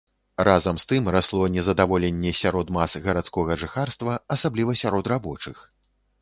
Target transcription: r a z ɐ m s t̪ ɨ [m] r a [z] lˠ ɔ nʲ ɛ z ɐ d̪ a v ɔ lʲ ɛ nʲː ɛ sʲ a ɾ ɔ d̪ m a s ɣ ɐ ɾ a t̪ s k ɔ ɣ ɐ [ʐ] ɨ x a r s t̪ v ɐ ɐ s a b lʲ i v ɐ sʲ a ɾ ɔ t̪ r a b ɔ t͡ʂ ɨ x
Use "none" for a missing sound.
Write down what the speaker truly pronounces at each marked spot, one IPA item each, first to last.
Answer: m, s, ʐ

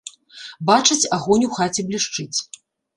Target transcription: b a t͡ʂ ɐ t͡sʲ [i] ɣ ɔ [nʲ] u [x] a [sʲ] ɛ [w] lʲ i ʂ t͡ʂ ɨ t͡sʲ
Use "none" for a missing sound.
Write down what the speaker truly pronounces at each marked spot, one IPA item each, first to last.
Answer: a, nʲ, x, t͡sʲ, b

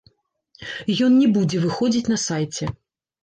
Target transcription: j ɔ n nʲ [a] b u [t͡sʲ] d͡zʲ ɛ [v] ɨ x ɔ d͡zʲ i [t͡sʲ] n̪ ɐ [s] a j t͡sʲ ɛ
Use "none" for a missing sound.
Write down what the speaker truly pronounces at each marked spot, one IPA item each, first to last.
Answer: ɛ, none, v, t͡sʲ, s

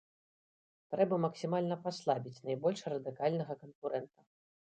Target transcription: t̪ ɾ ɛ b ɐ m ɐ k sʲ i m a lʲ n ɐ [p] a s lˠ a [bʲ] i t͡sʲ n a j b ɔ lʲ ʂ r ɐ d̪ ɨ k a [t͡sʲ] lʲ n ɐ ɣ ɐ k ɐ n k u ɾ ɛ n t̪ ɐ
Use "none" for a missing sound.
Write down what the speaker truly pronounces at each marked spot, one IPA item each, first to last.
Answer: p, bʲ, none

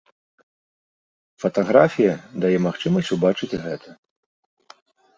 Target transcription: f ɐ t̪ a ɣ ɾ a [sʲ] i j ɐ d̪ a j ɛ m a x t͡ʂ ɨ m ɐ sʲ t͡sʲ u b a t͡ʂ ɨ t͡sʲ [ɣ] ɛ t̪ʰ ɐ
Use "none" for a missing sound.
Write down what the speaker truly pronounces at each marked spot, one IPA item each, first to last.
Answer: fʲ, ɣ

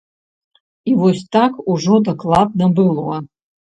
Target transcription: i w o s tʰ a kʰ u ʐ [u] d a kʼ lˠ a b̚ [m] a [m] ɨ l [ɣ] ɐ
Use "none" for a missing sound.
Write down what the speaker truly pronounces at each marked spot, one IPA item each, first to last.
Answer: o, n, b, w

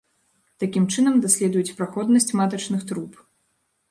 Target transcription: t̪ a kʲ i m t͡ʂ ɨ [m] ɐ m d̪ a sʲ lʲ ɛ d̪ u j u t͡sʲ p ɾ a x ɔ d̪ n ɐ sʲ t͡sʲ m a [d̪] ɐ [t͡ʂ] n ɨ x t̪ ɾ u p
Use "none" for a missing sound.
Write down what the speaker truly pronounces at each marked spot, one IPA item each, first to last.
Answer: n, t̪, t͡ʂ

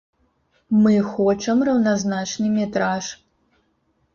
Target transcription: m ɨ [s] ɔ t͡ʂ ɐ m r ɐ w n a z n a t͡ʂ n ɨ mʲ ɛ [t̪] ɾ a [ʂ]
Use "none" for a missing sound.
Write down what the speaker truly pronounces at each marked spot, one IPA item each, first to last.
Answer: x, t̪, ʂ

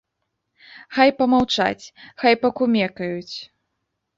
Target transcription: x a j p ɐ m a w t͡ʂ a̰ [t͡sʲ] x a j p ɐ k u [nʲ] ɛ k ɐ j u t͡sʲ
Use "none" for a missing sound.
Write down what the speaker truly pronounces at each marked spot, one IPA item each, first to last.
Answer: t͡sʲ, mʲ

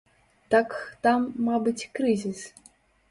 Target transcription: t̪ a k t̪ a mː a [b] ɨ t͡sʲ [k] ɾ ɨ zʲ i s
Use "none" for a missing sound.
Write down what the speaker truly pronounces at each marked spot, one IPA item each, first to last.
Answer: b, k

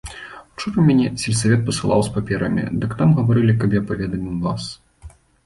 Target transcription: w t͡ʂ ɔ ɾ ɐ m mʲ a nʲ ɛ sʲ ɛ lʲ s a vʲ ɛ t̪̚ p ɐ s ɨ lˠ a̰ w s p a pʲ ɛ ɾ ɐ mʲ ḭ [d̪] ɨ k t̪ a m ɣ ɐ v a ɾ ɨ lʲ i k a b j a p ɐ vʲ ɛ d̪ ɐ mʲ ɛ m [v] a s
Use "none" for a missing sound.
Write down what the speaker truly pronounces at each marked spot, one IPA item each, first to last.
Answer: d̪, v

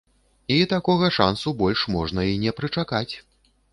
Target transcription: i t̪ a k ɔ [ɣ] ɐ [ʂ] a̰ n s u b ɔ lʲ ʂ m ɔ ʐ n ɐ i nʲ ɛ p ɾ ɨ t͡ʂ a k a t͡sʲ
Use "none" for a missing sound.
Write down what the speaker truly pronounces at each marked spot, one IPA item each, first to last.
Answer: ɣ, ʂ

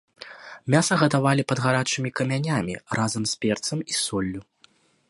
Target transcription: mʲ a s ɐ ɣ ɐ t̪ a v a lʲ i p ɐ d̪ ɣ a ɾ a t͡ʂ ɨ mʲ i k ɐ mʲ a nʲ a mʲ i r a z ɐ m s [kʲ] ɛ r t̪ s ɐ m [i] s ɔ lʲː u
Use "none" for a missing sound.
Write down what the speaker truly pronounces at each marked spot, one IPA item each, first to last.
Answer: pʲ, i

